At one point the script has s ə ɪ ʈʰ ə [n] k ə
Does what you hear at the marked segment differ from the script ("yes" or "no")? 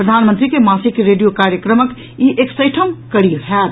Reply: yes